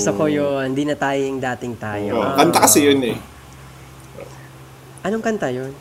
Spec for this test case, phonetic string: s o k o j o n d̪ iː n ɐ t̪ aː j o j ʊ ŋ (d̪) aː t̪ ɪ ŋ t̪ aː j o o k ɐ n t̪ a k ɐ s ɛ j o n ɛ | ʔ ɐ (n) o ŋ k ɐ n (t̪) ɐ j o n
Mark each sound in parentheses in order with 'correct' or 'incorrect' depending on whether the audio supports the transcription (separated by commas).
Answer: correct, correct, correct